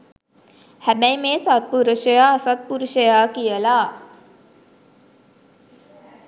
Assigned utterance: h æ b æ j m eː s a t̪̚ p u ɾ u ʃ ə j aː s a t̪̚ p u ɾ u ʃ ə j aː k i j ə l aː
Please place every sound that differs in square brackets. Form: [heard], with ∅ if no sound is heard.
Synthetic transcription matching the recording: h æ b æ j m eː s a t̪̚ p u ɾ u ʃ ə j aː s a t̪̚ p u ɾ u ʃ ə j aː k i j ə l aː